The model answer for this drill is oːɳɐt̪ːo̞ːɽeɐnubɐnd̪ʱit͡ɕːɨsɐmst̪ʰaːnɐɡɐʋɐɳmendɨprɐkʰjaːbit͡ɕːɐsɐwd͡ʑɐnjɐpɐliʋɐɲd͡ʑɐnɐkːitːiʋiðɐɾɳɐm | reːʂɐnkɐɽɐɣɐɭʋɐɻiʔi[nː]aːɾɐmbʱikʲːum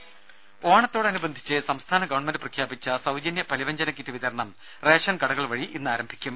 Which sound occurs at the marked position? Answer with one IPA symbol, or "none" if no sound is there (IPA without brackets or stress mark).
nː